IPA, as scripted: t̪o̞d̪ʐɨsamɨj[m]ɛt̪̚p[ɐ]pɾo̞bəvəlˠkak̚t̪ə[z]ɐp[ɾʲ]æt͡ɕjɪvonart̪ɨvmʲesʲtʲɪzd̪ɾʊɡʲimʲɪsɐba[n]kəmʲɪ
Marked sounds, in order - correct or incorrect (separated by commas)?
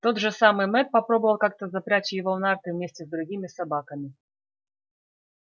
correct, correct, correct, correct, incorrect